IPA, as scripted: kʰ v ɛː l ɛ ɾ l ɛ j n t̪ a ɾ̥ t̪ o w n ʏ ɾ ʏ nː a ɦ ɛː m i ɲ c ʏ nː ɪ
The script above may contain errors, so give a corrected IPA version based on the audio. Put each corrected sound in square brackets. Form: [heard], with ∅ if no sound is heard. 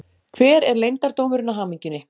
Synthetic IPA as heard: kʰ v ɛː [ɾ] ɛ ɾ l [e] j n t̪ a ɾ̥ t̪ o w [m] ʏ ɾ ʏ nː a ɦ [aː] m i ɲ c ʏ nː ɪ